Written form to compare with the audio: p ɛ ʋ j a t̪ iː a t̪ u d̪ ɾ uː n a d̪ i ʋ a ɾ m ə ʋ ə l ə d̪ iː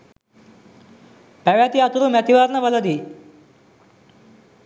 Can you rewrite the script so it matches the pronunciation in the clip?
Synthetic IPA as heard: p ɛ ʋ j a t̪ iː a t̪ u ɾ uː m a t̪ i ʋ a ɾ n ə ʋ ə l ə d̪ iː